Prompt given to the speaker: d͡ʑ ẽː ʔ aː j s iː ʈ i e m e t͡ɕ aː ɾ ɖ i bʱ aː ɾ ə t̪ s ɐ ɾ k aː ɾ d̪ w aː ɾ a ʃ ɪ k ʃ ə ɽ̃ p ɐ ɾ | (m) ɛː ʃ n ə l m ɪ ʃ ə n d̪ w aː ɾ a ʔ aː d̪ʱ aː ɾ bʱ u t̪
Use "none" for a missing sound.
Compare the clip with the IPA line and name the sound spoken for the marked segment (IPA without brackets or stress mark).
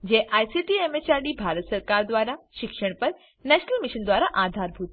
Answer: n